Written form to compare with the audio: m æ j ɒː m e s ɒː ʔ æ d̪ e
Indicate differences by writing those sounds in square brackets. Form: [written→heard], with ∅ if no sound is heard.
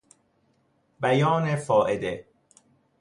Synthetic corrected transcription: [m→b] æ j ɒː [m→n] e [s→f] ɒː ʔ [æ→e] d̪ e